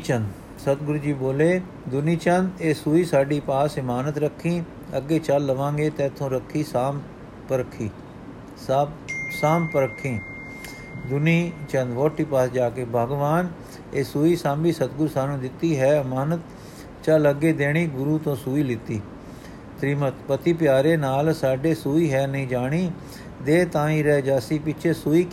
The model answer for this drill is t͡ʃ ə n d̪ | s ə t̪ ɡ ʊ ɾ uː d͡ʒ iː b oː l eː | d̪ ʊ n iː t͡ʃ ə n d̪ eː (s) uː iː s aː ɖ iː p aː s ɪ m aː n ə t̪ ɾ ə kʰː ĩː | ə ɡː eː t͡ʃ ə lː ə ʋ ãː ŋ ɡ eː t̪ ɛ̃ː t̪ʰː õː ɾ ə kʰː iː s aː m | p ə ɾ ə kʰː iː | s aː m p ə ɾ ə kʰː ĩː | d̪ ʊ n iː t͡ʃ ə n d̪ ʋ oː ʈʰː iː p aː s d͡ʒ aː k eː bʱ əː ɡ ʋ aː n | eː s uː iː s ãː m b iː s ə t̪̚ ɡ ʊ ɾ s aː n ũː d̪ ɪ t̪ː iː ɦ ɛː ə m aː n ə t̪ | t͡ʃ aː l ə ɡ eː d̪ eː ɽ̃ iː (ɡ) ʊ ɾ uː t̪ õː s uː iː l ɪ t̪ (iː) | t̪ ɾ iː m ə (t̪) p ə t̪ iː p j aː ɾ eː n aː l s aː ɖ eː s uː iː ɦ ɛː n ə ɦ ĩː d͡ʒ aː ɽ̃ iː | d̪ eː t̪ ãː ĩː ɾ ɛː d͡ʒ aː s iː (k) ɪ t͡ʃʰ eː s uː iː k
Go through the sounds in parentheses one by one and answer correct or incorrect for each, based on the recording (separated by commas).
correct, correct, correct, correct, incorrect